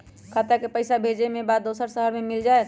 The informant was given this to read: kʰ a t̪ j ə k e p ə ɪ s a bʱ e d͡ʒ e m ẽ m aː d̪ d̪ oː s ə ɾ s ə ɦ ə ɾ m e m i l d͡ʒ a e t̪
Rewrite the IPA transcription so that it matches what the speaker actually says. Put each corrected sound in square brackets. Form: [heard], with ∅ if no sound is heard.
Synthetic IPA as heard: kʰ a t̪ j [a] k e p ə ɪ s a bʱ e d͡ʒ e m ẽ [b] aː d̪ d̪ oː s ə ɾ s ə ɦ ə ɾ m e m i l d͡ʒ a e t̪